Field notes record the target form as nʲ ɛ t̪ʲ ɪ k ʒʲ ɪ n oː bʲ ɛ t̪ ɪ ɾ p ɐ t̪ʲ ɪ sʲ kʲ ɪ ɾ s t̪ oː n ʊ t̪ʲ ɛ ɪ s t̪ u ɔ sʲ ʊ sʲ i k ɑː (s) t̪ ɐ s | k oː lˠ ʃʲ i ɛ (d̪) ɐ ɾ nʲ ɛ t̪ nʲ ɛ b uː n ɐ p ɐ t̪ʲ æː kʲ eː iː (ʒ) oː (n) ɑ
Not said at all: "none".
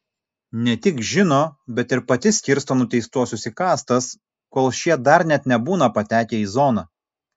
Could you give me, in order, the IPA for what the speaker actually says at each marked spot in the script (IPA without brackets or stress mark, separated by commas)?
s, d̪, z, n